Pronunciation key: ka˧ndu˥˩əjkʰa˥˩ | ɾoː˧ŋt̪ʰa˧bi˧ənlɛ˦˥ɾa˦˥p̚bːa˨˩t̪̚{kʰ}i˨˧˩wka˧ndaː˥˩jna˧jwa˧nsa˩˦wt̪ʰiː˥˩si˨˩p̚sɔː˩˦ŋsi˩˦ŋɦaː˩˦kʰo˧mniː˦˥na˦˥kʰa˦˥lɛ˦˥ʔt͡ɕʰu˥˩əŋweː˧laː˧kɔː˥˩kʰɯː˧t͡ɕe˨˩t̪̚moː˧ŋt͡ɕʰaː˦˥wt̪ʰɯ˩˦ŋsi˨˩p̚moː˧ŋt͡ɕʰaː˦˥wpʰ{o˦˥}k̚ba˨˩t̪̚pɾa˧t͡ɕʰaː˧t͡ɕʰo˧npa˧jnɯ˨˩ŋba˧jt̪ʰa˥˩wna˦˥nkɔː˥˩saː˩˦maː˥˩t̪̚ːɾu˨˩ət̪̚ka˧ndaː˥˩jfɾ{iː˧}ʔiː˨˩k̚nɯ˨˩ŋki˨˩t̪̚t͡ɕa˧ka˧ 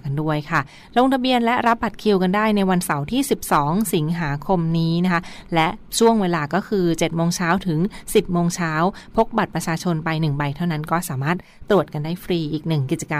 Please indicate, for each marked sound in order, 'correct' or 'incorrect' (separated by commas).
correct, correct, correct